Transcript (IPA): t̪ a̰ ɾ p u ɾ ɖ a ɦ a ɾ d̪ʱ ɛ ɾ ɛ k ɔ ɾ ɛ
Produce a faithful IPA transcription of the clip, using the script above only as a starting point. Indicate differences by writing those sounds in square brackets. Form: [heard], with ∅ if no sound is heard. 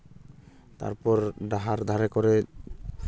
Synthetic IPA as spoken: t̪ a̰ ɾ p [ɔ] ɾ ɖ a ɦ a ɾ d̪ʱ [a] ɾ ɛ k ɔ ɾ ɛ